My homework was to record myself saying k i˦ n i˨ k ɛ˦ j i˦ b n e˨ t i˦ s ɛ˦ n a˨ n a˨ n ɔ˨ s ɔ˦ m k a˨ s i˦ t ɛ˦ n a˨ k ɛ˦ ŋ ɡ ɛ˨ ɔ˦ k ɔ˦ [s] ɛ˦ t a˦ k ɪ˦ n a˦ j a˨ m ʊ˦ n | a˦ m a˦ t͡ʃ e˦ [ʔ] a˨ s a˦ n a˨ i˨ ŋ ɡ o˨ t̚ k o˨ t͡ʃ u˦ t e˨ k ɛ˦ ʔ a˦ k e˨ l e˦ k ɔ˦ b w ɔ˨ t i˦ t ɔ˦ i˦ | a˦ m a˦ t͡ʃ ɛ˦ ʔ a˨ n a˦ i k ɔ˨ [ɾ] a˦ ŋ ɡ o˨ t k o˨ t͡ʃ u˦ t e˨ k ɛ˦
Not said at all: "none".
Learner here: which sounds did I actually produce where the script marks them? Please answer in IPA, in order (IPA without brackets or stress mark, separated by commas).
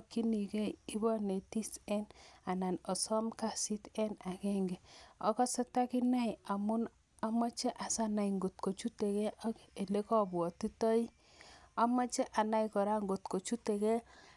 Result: s, ʔ, ɾ